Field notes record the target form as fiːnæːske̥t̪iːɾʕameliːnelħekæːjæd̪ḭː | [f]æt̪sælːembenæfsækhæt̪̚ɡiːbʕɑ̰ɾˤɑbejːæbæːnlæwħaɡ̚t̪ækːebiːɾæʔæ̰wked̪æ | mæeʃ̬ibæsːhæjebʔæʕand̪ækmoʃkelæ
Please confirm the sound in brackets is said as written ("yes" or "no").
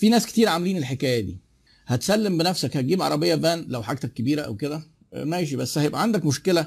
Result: no